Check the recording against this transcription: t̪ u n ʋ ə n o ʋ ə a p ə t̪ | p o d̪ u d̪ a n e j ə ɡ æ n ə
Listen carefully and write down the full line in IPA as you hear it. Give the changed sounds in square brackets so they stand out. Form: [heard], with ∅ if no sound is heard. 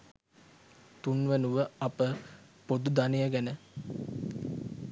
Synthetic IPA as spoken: t̪ u n ʋ ə n [u] ʋ ə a p ə [∅] | p o d̪ u d̪ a n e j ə ɡ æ n ə